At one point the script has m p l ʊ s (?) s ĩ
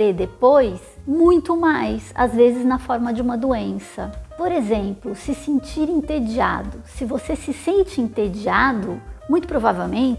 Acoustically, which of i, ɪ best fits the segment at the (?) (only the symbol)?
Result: ɪ